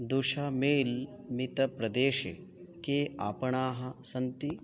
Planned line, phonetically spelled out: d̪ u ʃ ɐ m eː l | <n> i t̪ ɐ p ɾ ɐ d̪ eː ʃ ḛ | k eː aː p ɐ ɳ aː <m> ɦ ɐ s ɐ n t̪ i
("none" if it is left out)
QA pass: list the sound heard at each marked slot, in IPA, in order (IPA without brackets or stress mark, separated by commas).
m, none